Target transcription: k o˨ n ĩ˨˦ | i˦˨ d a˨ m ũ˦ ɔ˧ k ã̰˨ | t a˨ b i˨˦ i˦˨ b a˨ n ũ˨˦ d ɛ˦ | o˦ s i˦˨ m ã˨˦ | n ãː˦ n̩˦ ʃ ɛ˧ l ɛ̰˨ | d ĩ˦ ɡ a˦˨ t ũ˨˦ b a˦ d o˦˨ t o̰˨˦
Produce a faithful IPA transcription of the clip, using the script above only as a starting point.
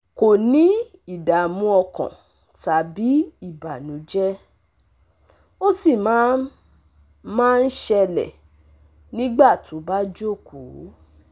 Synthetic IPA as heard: k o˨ n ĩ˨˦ | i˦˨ d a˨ m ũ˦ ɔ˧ k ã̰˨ | t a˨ b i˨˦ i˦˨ b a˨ n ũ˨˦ d͡ʒ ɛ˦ | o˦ s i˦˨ m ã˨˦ | m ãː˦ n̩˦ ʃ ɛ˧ l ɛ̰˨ | n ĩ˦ ɡ͡b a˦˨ t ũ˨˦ b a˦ d͡ʒ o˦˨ k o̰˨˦